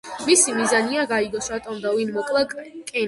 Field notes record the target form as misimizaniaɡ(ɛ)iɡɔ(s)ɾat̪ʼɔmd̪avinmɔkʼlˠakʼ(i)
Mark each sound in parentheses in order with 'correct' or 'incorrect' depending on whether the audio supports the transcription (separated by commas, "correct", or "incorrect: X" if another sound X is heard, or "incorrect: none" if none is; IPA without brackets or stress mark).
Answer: incorrect: a, correct, incorrect: ɛ